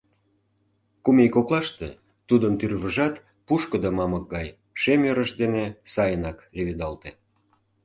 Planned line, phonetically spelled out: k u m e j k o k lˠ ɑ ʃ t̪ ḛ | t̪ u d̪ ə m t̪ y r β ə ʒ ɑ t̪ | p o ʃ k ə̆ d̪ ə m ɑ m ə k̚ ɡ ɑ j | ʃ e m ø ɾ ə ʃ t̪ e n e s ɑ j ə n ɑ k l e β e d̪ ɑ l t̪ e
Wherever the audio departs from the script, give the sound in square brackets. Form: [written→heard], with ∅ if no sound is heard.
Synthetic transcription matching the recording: k u m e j k o k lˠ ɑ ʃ t̪ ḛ | t̪ u d̪ ə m t̪ y r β ə ʒ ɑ t̪ | p [o→u] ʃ k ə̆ d̪ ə m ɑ m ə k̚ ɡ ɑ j | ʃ e m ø ɾ ə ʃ [t̪→d̪] e n e s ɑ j ə n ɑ k l e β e d̪ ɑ l t̪ e